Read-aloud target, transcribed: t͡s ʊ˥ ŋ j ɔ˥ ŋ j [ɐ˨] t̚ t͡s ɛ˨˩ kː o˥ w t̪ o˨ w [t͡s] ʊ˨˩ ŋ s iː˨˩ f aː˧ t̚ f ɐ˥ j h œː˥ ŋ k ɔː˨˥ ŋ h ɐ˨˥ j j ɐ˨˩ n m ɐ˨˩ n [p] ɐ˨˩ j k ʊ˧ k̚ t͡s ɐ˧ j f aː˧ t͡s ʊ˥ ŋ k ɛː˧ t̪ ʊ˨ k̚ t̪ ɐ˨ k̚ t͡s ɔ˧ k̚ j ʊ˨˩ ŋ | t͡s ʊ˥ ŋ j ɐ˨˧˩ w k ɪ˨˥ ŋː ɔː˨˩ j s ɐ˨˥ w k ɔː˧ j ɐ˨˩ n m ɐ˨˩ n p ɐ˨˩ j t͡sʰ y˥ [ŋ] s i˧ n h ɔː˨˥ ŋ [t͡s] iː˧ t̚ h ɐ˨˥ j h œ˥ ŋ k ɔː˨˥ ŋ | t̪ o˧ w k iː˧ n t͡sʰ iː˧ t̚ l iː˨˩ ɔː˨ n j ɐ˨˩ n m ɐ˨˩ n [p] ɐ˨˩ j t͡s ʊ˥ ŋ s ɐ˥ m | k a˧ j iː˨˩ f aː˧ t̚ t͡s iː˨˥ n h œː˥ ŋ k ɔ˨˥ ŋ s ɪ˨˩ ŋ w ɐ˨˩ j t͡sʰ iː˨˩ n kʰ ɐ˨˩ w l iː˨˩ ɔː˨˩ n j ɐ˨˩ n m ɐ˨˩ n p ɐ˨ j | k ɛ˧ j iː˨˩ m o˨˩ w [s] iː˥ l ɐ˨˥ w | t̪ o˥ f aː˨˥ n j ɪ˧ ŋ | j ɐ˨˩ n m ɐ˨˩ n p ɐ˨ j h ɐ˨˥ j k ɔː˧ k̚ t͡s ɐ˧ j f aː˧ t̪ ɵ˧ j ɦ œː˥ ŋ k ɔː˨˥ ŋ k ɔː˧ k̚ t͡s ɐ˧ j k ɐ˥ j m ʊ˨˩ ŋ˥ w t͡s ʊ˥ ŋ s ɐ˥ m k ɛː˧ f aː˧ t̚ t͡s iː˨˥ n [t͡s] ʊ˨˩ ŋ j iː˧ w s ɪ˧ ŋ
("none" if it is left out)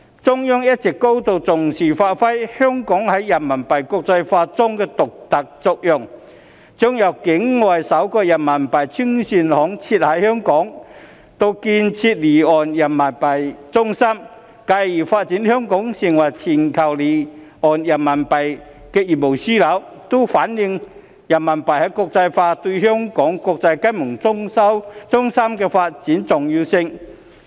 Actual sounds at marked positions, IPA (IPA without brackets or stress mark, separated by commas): ɐ˥, t͡s, p, ŋ, t͡sʰ, p, s, t͡s